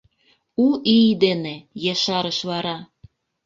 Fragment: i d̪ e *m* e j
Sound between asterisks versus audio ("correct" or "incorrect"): incorrect